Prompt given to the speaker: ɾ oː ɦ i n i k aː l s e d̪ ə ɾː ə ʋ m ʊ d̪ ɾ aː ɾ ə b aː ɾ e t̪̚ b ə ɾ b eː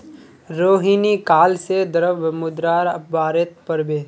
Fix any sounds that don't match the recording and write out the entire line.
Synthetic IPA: ɾ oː ɦ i n i k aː l s e d̪ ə ɾ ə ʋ m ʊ d̪ ɾ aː ɾ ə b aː ɾ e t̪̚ p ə ɾ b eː